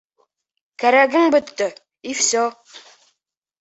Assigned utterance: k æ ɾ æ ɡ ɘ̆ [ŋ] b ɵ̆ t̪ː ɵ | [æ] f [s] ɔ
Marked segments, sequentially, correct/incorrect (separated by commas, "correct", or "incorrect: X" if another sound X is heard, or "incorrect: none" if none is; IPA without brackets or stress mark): correct, incorrect: i, correct